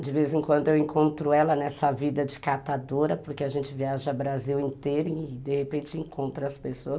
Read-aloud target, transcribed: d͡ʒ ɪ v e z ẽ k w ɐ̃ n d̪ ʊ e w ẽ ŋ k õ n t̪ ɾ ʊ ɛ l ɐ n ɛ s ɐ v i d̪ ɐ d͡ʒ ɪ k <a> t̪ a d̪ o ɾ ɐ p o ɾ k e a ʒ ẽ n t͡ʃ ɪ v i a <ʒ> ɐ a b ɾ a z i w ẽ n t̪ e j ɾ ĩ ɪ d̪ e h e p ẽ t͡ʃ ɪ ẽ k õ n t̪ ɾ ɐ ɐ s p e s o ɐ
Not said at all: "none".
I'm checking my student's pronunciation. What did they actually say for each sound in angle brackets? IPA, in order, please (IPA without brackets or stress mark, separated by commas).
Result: a, ʒ